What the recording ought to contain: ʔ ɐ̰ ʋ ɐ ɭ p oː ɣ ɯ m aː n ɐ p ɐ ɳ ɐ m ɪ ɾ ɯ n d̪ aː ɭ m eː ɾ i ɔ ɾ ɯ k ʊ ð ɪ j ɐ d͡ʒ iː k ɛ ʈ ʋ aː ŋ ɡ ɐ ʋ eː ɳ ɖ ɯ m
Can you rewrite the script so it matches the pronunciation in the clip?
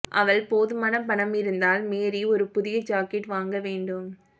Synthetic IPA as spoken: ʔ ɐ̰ ʋ ɐ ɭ p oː ð ɯ m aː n ɐ p ɐ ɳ ɐ m ɪ ɾ ɯ n d̪ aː l m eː ɾ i ɔ ɾ ɯ p ʊ ð ɪ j ɐ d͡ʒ aː k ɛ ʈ ʋ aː ŋ ɡ ɐ ʋ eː ɳ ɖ ɯ m